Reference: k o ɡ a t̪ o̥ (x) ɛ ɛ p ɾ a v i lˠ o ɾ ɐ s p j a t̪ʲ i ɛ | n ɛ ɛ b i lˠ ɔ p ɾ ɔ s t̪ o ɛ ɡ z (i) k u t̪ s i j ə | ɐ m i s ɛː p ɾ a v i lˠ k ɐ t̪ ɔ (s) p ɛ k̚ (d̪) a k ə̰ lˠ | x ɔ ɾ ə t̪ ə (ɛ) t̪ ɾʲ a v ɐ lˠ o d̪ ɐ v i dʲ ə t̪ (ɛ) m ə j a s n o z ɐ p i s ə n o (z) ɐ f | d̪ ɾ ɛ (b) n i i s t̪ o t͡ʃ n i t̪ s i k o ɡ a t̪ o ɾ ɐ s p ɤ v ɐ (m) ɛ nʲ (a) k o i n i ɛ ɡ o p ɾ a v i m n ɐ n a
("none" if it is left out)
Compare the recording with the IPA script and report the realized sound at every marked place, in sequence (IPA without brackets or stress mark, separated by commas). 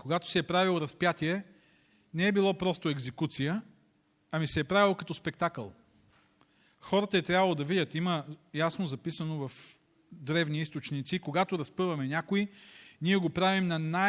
s, ɛ, s, t̪, ɛ, i, v, v, m, a